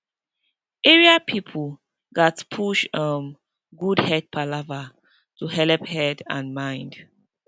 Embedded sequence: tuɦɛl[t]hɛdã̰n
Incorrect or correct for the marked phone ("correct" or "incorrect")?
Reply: incorrect